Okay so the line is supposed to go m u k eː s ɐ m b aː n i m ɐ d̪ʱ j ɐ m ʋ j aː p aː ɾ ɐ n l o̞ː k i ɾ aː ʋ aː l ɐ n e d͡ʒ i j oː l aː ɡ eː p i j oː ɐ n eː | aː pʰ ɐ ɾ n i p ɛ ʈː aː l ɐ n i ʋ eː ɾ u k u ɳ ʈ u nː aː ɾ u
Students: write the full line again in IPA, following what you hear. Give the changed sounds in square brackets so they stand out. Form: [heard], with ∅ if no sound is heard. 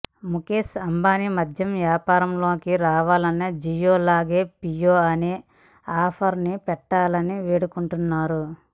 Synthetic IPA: m u k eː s ɐ m b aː n i m ɐ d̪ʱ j ɐ m ʋ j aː p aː ɾ ɐ [m] l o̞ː k i ɾ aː ʋ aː l ɐ n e d͡ʒ i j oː l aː ɡ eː p i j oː ɐ n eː | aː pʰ ɐ ɾ n i p ɛ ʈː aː l ɐ n i ʋ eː [ɽ] u k u ɳ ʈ u nː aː ɾ u

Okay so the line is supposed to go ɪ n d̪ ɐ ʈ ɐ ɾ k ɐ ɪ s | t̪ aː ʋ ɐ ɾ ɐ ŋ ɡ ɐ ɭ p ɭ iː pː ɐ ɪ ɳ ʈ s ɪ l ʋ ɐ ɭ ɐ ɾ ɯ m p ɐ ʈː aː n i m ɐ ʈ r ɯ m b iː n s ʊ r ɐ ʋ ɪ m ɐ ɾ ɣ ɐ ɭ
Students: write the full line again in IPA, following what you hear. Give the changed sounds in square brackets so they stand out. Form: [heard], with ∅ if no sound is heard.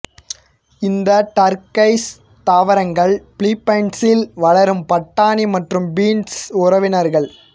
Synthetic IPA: ɪ n d̪ ɐ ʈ ɐ ɾ k ɐ ɪ s | t̪ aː ʋ ɐ ɾ ɐ ŋ ɡ ɐ ɭ p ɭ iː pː ɐ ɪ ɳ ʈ s ɪ l ʋ ɐ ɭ ɐ ɾ ɯ m p ɐ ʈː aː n i m ɐ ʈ r ɯ m b iː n s ʊ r ɐ ʋ ɪ [n] ɐ ɾ ɣ ɐ ɭ

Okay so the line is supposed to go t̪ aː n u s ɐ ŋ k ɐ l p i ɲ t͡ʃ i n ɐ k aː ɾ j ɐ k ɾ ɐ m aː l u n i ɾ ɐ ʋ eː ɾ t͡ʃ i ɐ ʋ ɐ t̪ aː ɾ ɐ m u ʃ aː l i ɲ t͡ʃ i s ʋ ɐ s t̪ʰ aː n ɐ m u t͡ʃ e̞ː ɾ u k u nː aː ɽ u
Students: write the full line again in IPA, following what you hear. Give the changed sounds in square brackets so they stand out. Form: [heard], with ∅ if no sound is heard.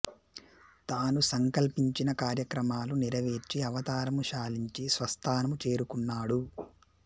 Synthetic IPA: t̪ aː n u s ɐ ŋ k ɐ l p i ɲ t͡ʃ i n ɐ k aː ɾ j ɐ k ɾ ɐ m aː l u n i ɾ ɐ ʋ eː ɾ t͡ʃ i ɐ ʋ ɐ t̪ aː ɾ ɐ m u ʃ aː l i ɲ t͡ʃ i s ʋ ɐ s t̪ʰ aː n ɐ m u t͡ʃ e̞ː ɾ u k u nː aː ɽ u

